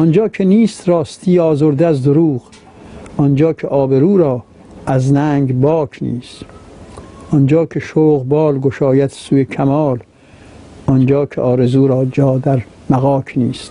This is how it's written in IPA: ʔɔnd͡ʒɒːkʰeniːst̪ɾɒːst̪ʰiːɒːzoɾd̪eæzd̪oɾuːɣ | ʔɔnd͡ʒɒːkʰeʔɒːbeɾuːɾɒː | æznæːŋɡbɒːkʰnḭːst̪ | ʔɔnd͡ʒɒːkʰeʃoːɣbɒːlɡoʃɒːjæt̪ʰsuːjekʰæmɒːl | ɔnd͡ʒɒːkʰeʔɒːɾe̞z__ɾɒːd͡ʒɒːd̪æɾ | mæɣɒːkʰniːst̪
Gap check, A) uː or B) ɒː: A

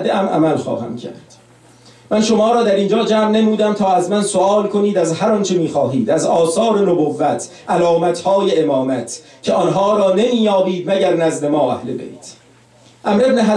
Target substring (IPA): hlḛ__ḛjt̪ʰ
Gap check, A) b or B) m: A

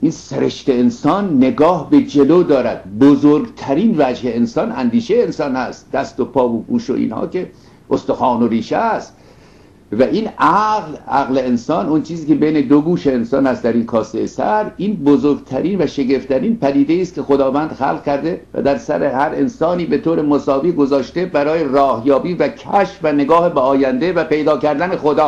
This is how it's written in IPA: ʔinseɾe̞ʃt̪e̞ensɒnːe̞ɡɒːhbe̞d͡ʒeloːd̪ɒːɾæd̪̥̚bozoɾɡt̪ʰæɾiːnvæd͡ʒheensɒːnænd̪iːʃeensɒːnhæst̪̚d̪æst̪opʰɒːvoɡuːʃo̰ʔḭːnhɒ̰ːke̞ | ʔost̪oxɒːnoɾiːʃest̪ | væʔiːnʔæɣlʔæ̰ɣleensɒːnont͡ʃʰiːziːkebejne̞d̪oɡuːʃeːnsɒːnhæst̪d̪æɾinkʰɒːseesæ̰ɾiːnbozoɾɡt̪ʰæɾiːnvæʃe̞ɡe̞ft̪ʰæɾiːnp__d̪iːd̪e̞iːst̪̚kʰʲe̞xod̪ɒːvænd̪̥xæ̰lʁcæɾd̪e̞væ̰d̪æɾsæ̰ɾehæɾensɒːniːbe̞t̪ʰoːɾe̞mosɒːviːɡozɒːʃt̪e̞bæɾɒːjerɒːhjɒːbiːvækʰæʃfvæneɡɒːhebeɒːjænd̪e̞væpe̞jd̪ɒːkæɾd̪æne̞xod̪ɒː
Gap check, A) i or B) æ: B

